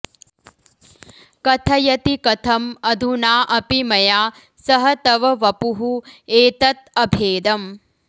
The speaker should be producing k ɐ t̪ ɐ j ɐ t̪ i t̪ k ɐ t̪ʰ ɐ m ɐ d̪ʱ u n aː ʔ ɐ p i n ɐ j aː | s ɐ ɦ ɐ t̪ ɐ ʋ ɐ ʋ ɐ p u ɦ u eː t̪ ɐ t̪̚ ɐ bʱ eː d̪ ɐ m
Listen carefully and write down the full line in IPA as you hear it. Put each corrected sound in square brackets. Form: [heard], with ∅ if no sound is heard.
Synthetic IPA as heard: k ɐ [t̪ʰ] ɐ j ɐ t̪ i [∅] k ɐ t̪ʰ ɐ m ɐ d̪ʱ u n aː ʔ ɐ p i [m] ɐ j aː | s ɐ ɦ ɐ t̪ ɐ ʋ ɐ ʋ ɐ p u ɦ u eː t̪ ɐ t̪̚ ɐ bʱ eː d̪ ɐ m